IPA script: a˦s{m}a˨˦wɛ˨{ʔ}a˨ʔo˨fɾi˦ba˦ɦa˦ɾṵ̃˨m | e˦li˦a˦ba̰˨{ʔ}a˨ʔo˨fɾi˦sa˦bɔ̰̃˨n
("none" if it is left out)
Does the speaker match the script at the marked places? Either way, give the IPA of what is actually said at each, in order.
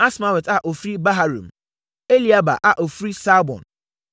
m, t, ʔ

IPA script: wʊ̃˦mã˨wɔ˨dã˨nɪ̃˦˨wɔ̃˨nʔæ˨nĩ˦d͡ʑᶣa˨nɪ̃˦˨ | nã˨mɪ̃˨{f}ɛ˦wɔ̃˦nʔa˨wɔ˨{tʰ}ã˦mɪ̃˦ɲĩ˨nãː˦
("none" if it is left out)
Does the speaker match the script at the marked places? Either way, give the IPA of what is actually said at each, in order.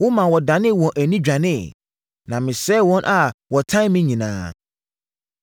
s, tʰ

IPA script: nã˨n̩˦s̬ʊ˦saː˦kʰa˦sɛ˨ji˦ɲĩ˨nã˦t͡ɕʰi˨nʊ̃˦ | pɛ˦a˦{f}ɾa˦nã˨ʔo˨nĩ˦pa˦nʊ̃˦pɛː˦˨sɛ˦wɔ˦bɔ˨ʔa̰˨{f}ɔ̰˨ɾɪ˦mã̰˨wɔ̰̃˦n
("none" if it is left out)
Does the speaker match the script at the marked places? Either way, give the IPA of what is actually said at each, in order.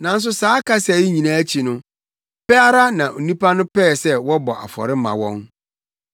none, f

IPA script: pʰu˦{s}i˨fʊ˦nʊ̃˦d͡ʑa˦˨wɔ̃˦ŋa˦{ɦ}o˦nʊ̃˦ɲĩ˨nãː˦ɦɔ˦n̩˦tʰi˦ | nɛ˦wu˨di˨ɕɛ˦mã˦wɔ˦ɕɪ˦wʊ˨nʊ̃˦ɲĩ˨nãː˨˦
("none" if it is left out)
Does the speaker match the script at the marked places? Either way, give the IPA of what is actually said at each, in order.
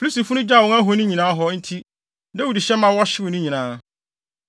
s, ɦ

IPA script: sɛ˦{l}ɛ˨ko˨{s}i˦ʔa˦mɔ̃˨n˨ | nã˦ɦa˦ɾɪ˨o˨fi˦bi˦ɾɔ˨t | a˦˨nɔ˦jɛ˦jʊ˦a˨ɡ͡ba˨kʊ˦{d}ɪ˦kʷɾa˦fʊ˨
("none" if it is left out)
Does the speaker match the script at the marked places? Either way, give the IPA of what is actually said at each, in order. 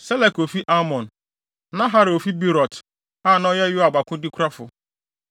l, f, d

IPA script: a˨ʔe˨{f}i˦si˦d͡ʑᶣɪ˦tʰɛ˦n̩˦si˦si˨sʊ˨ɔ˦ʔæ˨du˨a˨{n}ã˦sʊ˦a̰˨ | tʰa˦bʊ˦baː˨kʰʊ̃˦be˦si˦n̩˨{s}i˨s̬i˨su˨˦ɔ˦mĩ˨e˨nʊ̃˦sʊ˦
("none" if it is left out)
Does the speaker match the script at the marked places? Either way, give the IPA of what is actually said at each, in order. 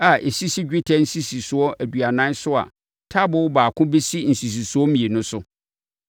s, n, s

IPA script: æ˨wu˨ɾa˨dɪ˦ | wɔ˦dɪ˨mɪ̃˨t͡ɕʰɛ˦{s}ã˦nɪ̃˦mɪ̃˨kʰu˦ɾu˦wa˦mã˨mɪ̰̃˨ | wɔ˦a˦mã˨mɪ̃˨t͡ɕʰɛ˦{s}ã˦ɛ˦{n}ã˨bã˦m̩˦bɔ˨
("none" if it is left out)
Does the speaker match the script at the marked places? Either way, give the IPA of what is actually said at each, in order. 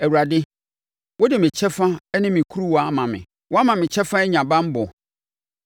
f, f, ɲ

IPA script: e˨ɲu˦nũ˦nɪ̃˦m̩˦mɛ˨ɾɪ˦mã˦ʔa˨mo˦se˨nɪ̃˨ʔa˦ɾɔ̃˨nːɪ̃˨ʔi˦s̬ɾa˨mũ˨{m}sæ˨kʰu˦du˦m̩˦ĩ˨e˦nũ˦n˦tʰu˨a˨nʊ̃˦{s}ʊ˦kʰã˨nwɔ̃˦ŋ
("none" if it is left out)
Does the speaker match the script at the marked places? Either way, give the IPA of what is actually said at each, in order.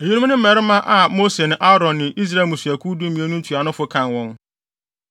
none, f

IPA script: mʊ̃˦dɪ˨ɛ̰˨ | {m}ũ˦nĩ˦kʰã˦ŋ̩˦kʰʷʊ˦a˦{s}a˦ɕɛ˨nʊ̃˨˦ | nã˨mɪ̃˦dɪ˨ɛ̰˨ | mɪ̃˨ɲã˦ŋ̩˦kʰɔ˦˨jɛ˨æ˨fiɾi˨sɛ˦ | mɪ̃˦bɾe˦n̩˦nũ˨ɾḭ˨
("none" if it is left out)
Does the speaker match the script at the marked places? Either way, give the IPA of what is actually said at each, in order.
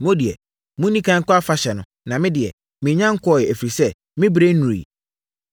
m, f

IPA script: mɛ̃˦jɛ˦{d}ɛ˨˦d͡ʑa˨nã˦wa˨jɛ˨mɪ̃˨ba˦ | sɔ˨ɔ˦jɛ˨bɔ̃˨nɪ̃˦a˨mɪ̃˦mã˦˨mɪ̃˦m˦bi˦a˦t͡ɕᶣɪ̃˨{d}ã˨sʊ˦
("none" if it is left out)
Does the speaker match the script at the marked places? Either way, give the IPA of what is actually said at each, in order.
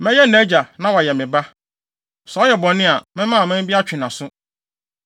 n, n

